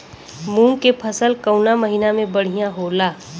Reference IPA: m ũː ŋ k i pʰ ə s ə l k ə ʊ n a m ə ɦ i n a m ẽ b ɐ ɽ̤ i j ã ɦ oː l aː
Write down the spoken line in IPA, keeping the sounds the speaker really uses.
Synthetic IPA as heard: m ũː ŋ k e pʰ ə s ə l k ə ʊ n a m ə ɦ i n a m ẽ b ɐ ɽ̤ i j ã ɦ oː l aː